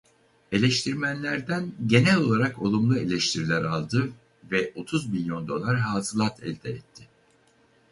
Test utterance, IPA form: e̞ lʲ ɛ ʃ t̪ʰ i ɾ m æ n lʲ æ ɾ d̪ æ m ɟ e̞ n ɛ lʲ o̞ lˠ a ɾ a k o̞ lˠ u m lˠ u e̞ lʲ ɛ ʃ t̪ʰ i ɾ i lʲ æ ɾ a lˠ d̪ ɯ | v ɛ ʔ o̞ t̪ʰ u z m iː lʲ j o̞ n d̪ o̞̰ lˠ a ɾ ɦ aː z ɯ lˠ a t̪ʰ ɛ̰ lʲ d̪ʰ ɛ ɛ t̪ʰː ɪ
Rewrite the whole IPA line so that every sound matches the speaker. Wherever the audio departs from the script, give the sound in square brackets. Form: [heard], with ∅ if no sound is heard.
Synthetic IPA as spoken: e̞ lʲ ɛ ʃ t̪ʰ i ɾ m æ n lʲ æ ɾ d̪ æ [n] ɟ e̞ n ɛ lʲ o̞ lˠ a ɾ a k o̞ lˠ u m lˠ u e̞ lʲ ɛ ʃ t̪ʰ i ɾ i lʲ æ ɾ a lˠ d̪ ɯ | v ɛ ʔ o̞ t̪ʰ u z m [i] lʲ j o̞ n d̪ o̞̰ lˠ a ɾ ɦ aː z ɯ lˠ a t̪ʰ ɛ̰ lʲ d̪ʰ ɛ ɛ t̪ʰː ɪ

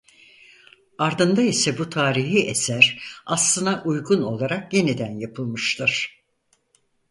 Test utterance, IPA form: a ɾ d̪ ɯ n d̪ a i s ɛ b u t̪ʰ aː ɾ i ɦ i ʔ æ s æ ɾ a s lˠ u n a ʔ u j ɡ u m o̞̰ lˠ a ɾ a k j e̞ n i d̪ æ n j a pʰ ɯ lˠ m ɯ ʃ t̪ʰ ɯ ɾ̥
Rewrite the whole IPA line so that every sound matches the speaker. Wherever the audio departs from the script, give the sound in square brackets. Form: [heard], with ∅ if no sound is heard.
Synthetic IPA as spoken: a ɾ d̪ ɯ n d̪ a i s ɛ b u t̪ʰ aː ɾ i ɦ i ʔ [e] s æ ɾ a s lˠ [ɯ] n a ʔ u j ɡ u [n] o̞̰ lˠ a ɾ a k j e̞ n i d̪ æ n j a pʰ ɯ lˠ m ɯ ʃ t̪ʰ ɯ ɾ̥

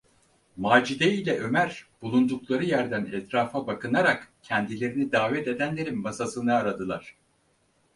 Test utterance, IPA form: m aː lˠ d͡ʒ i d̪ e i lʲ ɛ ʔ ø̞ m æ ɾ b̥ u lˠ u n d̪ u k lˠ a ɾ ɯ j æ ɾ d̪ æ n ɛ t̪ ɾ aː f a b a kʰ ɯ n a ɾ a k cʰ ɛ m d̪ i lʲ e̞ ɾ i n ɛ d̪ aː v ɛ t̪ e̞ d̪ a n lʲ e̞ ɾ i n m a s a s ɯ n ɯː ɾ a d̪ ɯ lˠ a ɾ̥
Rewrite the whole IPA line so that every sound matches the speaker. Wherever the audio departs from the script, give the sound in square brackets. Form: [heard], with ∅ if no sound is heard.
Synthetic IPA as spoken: m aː [∅] d͡ʒ i d̪ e i lʲ ɛ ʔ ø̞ m æ ɾ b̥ u lˠ u n d̪ u k lˠ a ɾ ɯ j æ ɾ d̪ æ n ɛ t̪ ɾ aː f a b a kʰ ɯ n a ɾ a k cʰ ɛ [n] d̪ i lʲ e̞ ɾ i n [i] d̪ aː v ɛ t̪ e̞ d̪ [æ] n lʲ e̞ ɾ i n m a s a s ɯ n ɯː ɾ a d̪ ɯ lˠ a ɾ̥

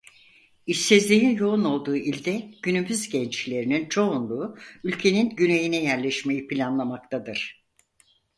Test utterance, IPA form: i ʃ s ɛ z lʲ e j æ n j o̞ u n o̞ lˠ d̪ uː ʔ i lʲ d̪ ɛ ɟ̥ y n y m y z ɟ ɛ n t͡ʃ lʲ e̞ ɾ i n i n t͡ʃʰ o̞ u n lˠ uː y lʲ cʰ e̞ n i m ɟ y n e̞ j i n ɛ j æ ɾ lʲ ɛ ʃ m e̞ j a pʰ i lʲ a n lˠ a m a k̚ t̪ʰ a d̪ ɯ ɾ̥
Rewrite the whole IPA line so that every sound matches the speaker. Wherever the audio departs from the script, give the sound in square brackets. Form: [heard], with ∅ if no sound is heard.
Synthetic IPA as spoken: i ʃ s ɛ z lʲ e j [i] n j o̞ u n o̞ lˠ d̪ uː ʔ i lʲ d̪ ɛ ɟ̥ y n y m y z ɟ ɛ n t͡ʃ lʲ e̞ ɾ i n i n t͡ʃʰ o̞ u n lˠ uː y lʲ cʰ e̞ n i [n] ɟ y n e̞ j i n ɛ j æ ɾ lʲ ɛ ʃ m e̞ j [i] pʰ i lʲ a n lˠ a m a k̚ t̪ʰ a d̪ ɯ ɾ̥

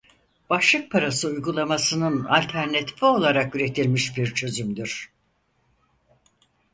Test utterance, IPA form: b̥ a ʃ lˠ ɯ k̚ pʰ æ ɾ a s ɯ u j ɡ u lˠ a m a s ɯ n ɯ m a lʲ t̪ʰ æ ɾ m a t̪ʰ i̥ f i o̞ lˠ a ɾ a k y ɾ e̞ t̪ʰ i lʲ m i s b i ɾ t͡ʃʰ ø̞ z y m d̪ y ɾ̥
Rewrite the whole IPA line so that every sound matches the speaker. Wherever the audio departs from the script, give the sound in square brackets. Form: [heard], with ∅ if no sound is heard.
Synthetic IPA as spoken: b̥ a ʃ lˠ ɯ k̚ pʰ [a] ɾ a s ɯ u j ɡ u lˠ a m a s ɯ n ɯ [n] a lʲ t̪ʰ æ ɾ [n] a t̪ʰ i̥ f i o̞ lˠ a ɾ a k y ɾ e̞ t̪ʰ i lʲ m i [ʃ] b i ɾ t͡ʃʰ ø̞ z y m d̪ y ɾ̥

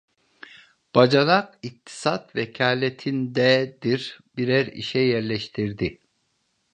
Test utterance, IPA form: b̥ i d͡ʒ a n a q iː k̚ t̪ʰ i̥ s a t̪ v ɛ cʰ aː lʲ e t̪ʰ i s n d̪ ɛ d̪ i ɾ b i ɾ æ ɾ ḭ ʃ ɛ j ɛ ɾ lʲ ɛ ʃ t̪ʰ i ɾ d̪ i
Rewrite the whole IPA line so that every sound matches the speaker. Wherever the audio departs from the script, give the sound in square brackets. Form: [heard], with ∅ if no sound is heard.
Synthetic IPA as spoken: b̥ [a] d͡ʒ a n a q [i] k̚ t̪ʰ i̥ s a t̪ v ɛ cʰ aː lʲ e t̪ʰ i [∅] n d̪ ɛ d̪ i ɾ b i ɾ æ ɾ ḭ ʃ ɛ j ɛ ɾ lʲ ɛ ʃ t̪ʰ i ɾ d̪ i

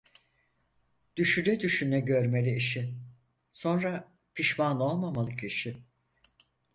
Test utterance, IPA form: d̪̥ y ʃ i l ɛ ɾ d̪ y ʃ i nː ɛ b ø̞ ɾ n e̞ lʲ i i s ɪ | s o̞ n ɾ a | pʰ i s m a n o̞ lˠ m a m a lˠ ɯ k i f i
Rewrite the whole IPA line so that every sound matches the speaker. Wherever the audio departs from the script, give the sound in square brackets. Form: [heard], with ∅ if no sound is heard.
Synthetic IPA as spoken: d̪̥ y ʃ [y] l ɛ [∅] d̪ y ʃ [y] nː ɛ [ɟ] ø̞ ɾ [m] e̞ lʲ i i [ʃ] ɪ | s o̞ n ɾ a | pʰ i [ʃ] m a n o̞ lˠ m a m a lˠ ɯ k i [ʃ] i

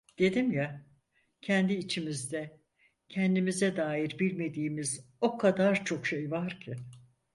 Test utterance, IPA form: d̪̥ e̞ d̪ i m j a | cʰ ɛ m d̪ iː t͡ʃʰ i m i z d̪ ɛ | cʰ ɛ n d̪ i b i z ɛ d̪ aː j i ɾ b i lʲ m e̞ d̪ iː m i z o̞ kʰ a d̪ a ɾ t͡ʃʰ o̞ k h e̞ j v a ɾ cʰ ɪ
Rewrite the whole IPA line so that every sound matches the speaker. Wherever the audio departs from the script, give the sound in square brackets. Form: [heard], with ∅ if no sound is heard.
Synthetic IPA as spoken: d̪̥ e̞ d̪ i m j a | cʰ ɛ [n] d̪ iː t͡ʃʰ i m i z d̪ ɛ | cʰ ɛ n d̪ i [m] i z ɛ d̪ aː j i ɾ b i lʲ m e̞ d̪ iː m i z o̞ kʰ a d̪ a ɾ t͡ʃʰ o̞ k [ʃ] e̞ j v a ɾ cʰ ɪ

